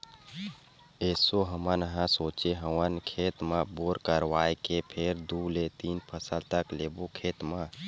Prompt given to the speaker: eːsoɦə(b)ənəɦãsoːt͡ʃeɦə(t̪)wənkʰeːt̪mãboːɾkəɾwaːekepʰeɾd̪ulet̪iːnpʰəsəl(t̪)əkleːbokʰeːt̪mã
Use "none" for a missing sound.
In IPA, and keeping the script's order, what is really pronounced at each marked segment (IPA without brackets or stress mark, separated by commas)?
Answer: m, none, t̪